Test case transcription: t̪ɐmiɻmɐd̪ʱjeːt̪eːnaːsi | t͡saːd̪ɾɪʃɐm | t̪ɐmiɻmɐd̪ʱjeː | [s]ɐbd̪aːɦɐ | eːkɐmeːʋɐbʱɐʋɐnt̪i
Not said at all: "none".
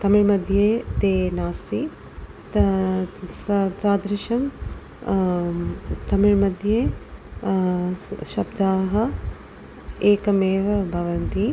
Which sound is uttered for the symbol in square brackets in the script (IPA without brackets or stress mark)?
ʃ